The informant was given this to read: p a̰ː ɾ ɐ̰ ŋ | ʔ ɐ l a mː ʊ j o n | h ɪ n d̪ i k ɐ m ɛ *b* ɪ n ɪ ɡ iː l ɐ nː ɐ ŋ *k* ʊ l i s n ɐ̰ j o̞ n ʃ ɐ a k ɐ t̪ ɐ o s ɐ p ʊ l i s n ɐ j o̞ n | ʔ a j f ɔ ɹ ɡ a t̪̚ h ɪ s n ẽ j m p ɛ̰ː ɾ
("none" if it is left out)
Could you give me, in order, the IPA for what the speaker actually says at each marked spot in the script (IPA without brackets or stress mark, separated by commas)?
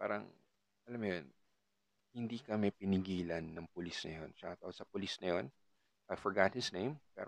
p, p